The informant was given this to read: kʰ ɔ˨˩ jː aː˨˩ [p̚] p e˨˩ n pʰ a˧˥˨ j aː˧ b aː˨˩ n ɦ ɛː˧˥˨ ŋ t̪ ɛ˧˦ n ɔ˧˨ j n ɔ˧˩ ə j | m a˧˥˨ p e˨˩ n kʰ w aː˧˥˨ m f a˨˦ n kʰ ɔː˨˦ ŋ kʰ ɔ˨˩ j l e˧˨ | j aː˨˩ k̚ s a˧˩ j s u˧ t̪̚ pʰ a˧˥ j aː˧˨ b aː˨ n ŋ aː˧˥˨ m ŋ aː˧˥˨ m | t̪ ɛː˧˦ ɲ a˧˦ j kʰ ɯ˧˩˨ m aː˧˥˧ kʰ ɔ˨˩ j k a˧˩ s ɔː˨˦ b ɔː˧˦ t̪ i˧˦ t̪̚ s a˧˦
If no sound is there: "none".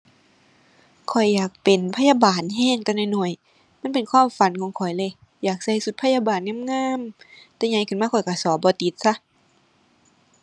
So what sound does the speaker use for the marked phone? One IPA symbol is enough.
k̚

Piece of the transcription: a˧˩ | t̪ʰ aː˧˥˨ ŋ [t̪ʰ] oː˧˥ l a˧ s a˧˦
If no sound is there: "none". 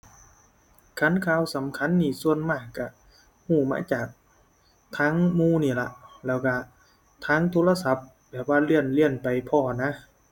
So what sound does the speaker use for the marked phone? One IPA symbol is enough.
t̪ʰ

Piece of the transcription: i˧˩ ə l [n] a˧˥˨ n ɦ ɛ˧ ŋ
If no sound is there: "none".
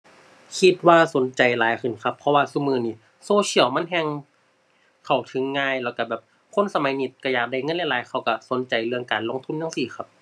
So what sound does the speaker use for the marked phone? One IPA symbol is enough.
m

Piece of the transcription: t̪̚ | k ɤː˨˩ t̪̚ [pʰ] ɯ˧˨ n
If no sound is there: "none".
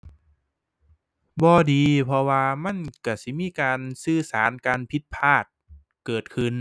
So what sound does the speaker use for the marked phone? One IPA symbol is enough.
kʰ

